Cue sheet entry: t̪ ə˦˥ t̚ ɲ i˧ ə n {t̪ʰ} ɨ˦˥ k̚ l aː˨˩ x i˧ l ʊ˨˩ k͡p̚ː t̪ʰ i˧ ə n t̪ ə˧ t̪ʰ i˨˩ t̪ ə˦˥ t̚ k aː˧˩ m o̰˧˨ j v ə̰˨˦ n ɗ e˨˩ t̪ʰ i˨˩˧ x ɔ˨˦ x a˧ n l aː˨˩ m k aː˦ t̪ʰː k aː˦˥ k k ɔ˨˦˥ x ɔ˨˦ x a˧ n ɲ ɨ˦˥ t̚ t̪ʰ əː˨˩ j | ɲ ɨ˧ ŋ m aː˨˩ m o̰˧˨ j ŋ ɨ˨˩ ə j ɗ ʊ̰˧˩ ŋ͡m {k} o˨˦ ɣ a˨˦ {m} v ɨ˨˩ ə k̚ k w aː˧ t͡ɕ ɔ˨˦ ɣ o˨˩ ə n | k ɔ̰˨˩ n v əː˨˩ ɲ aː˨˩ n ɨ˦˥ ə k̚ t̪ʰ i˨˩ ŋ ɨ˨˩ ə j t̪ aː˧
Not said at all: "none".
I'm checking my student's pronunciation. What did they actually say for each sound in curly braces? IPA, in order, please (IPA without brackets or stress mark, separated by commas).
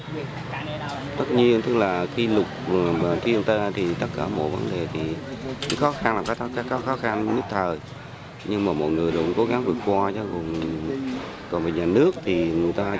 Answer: t̪, k, ŋ